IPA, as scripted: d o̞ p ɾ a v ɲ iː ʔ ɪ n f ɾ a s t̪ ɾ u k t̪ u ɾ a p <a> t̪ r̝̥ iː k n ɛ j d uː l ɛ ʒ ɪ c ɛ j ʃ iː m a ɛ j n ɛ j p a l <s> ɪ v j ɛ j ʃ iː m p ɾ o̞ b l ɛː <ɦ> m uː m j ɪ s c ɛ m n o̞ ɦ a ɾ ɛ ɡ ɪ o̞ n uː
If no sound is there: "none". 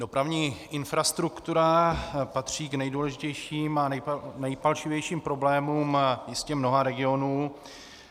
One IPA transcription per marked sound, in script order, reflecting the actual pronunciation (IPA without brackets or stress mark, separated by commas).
a, ʃ, none